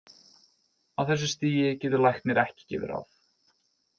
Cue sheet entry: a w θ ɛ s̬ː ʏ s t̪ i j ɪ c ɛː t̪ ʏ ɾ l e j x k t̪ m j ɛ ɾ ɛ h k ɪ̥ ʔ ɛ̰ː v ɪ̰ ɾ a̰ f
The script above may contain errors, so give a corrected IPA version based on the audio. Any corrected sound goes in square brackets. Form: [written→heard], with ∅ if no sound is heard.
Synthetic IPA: a w θ ɛ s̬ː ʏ s t̪ [i→iː] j ɪ c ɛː t̪ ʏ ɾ l [e→a] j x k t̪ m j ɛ ɾ ɛ h [k→c] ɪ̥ [ʔ→c] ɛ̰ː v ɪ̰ ɾ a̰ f

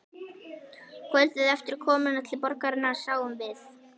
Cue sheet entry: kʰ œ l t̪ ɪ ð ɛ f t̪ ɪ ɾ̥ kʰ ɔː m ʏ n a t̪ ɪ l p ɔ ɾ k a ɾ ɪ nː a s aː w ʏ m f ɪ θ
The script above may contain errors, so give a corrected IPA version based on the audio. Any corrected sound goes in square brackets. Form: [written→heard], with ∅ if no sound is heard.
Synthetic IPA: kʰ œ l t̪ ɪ ð ɛ f t̪ ɪ ɾ̥ kʰ ɔː m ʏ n a [t̪→t̪ʰ] ɪ l p ɔ ɾ k a ɾ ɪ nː a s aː w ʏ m [f→v] ɪ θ

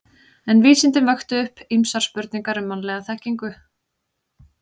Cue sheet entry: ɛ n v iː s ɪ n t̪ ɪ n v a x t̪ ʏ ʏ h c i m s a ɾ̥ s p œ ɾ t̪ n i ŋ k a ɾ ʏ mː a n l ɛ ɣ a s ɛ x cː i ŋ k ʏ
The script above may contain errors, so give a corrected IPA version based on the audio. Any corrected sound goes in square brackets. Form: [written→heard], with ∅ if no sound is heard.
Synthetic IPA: ɛ n v iː s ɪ n t̪ ɪ n v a x t̪ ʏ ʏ h [c→p] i m s a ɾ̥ s p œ ɾ t̪ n i ŋ k a ɾ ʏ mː a n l ɛ ɣ a [s→θ] ɛ [x→h] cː i ŋ k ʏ

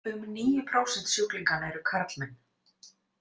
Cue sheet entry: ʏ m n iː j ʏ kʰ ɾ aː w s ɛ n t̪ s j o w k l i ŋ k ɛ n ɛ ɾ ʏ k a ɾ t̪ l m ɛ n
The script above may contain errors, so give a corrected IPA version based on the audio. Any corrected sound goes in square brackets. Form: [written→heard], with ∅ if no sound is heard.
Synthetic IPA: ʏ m n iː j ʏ [kʰ→pʰ] ɾ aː w s ɛ n t̪ s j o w k l i ŋ k [ɛ→a] n ɛ ɾ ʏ [k→kʰ] a ɾ t̪ l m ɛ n

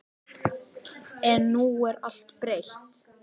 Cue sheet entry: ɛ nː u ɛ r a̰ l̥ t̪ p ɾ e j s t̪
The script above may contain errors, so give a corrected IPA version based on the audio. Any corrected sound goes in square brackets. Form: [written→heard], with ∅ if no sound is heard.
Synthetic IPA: ɛ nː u ɛ [r→ɾ] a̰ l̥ t̪ p ɾ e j [s→h] t̪

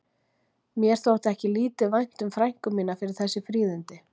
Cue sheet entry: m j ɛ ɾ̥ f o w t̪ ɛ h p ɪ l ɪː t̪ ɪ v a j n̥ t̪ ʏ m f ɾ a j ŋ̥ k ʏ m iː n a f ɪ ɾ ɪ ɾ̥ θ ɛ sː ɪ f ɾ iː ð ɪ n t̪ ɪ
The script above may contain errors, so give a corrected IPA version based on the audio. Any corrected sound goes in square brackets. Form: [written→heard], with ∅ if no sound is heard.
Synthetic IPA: m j ɛ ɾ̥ [f→θ] o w t̪ ɛ h [p→c] ɪ l [ɪː→iː] t̪ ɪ v a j n̥ t̪ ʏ m f ɾ a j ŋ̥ k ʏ m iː n a f ɪ ɾ ɪ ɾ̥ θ ɛ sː ɪ f ɾ iː ð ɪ n t̪ ɪ

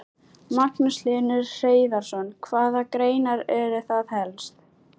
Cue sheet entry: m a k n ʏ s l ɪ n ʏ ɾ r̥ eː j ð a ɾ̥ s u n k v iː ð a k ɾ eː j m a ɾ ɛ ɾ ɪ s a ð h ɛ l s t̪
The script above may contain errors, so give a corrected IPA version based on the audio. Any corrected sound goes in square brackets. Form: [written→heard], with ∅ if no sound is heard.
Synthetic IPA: m a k n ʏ s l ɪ n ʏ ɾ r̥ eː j ð a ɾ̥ s [u→ɔ] n [k→kʰ] v [iː→aː] ð a k ɾ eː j [m→n] a ɾ ɛ ɾ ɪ [s→θ] a ð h ɛ l s t̪

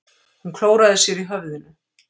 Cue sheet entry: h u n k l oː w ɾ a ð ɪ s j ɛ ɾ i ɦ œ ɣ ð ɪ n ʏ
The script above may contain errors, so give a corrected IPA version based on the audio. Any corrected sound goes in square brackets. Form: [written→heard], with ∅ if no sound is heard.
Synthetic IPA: h u n [k→kʰ] l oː w ɾ a ð ɪ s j ɛ ɾ i ɦ œ [ɣ→v] ð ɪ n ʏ

